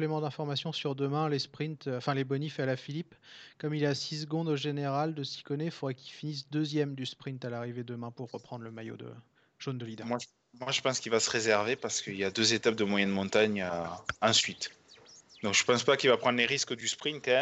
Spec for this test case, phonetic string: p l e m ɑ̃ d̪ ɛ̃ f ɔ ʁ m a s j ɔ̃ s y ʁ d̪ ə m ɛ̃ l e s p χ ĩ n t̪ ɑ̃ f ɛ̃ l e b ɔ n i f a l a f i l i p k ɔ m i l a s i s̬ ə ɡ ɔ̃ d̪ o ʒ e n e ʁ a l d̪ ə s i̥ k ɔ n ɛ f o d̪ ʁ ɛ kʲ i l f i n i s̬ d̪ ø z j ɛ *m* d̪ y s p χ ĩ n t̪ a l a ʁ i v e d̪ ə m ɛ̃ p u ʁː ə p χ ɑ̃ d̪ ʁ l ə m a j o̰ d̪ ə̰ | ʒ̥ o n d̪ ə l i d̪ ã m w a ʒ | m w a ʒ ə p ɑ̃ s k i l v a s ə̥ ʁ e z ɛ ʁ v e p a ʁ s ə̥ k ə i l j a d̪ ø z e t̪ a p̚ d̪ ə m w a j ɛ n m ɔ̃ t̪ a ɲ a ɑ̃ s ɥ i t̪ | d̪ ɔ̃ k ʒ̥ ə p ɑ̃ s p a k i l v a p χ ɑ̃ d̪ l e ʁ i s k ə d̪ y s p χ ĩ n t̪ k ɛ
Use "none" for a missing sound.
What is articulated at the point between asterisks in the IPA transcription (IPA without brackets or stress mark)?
m